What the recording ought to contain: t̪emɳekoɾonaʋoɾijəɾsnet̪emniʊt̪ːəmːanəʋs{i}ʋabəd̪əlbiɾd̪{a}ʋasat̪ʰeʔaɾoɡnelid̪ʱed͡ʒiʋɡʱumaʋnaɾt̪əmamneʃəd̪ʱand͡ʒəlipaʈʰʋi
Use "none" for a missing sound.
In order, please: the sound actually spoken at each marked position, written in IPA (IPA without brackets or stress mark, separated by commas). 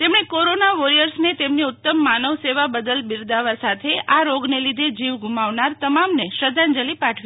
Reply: e, a